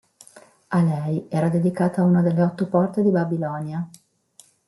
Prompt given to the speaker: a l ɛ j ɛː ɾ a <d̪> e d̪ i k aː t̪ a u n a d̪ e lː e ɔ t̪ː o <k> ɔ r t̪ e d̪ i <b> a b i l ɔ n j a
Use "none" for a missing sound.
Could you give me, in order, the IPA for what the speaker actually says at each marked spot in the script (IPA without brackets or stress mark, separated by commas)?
d̪, p, b